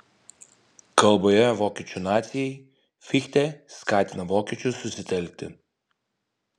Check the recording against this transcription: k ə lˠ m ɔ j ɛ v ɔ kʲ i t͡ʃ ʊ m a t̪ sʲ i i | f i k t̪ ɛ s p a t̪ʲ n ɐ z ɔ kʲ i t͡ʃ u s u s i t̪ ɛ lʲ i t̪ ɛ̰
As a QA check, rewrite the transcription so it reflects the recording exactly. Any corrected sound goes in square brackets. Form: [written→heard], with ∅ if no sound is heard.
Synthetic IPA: k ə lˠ [m→b] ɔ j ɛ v ɔ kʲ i t͡ʃ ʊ [m→n] a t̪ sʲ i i | f i [k→x] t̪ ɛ s [p→k] a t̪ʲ n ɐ [z→v] ɔ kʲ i t͡ʃ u s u s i t̪ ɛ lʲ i t̪ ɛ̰

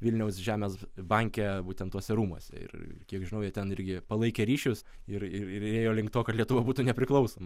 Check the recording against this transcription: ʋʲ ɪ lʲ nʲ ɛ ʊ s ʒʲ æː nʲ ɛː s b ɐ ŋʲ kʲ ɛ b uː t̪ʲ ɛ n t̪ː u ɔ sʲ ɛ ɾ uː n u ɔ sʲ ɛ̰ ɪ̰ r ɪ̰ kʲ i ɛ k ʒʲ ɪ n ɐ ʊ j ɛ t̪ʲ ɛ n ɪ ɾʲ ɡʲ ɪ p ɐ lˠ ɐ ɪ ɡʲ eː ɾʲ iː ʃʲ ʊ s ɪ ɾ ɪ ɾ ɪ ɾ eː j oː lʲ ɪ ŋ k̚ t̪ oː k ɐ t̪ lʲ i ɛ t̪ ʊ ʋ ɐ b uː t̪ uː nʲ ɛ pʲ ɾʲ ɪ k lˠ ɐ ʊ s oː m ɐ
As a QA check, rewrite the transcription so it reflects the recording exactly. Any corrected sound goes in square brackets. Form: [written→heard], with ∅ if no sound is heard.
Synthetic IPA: ʋʲ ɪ lʲ nʲ ɛ ʊ s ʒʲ æː [nʲ→mʲ] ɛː s b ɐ ŋʲ kʲ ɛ b uː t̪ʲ ɛ n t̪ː u ɔ sʲ ɛ ɾ uː [n→m] u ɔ sʲ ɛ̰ ɪ̰ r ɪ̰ kʲ i ɛ k ʒʲ ɪ n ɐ ʊ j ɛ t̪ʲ ɛ n ɪ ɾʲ ɡʲ ɪ p ɐ lˠ ɐ ɪ [ɡʲ→kʲ] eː ɾʲ iː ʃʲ ʊ s ɪ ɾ ɪ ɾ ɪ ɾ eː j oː lʲ ɪ ŋ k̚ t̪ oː k ɐ t̪ lʲ i ɛ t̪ ʊ ʋ ɐ b uː t̪ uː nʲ ɛ pʲ ɾʲ ɪ k lˠ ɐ ʊ s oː m ɐ

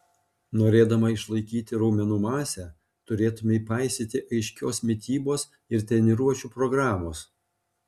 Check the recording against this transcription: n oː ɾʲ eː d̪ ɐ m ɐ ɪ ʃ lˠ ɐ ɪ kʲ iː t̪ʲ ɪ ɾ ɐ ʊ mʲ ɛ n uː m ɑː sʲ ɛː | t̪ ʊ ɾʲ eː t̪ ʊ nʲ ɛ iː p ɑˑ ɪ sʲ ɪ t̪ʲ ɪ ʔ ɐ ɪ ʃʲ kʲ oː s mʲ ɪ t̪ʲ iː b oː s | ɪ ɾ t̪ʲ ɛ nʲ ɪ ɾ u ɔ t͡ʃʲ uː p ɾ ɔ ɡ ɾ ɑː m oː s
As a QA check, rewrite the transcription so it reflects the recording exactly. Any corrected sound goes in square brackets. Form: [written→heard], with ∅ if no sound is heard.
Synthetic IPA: n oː ɾʲ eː d̪ ɐ m ɐ ɪ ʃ lˠ ɐ ɪ kʲ iː t̪ʲ ɪ ɾ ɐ ʊ mʲ ɛ n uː m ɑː sʲ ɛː | t̪ ʊ ɾʲ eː t̪ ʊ [nʲ→mʲ] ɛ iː p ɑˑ ɪ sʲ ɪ t̪ʲ ɪ ʔ ɐ ɪ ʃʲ kʲ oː s mʲ ɪ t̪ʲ iː b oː s | ɪ ɾ t̪ʲ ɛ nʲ ɪ ɾ u ɔ t͡ʃʲ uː p ɾ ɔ ɡ ɾ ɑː m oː s

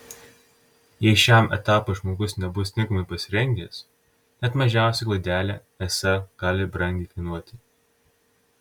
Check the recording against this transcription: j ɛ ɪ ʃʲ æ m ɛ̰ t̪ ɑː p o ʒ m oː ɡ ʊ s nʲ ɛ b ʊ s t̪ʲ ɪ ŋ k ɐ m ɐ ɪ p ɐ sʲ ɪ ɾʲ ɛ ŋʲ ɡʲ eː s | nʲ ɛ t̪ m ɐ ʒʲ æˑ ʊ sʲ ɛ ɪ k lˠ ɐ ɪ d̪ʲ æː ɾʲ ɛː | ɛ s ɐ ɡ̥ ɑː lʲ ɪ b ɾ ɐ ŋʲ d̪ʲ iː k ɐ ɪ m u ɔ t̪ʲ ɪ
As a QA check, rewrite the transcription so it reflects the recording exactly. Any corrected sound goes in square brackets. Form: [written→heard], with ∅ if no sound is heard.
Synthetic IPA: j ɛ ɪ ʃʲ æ m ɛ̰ t̪ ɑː p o ʒ m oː ɡ ʊ s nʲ ɛ b ʊ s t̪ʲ ɪ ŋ k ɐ m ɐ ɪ p ɐ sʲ ɪ ɾʲ ɛ ŋʲ ɡʲ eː s | nʲ ɛ t̪ m ɐ ʒʲ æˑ ʊ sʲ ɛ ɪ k lˠ ɐ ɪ d̪ʲ æː [ɾʲ→lʲ] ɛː | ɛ s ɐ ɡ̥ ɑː lʲ ɪ b ɾ ɐ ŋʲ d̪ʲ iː k ɐ ɪ [m→n] u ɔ t̪ʲ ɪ

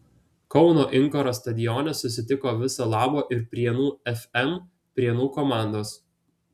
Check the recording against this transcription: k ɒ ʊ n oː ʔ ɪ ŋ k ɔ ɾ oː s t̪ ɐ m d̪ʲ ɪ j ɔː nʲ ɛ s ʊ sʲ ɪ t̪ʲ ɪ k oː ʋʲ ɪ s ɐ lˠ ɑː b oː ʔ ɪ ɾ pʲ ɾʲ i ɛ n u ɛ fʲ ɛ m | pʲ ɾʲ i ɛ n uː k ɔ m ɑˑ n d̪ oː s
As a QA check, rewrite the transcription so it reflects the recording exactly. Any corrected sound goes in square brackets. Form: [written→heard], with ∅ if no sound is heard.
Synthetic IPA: k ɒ ʊ n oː ʔ ɪ ŋ k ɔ ɾ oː s t̪ ɐ [m→∅] d̪ʲ ɪ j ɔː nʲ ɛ s ʊ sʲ ɪ t̪ʲ ɪ k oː ʋʲ ɪ s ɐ lˠ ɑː b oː ʔ ɪ ɾ pʲ ɾʲ i ɛ n [u→uː] ɛ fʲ ɛ m | pʲ ɾʲ i ɛ n uː k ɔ m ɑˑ n d̪ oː s

